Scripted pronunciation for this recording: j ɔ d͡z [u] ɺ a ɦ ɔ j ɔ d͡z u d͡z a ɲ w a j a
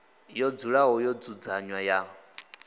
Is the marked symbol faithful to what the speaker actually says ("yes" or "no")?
yes